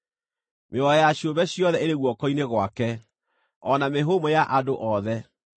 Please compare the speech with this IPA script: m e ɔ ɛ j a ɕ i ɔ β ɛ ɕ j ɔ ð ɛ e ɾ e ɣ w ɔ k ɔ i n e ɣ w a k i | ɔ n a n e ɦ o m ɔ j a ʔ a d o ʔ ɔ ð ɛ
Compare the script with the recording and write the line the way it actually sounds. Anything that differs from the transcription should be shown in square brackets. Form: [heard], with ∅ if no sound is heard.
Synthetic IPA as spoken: m e ɔ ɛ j a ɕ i [o] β ɛ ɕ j ɔ ð ɛ e ɾ e ɣ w ɔ k ɔ i n e ɣ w a k [ɛ] | ɔ n a [m] e ɦ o m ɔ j a ʔ a d o ʔ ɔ ð ɛ